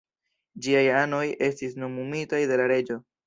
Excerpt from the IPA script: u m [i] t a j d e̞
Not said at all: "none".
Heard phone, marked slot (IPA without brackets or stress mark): i